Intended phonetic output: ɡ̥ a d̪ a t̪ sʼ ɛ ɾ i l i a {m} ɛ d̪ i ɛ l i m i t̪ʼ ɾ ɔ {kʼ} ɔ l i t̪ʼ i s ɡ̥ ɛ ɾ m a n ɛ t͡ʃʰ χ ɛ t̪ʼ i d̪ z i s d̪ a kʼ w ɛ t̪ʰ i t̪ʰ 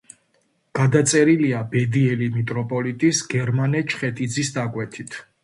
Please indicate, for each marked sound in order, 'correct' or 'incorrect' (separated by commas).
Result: incorrect, incorrect